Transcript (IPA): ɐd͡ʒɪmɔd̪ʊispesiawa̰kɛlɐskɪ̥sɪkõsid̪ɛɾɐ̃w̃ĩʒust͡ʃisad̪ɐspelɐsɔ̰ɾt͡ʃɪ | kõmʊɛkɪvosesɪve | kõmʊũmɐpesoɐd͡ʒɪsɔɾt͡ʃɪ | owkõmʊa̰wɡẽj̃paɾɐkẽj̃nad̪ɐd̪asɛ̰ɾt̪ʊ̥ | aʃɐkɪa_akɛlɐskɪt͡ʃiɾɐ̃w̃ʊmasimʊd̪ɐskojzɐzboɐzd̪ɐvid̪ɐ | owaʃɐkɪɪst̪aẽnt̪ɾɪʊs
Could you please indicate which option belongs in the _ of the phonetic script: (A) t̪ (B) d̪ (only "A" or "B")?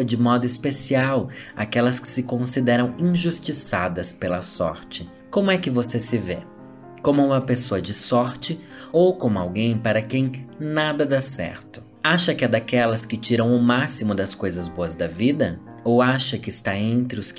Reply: B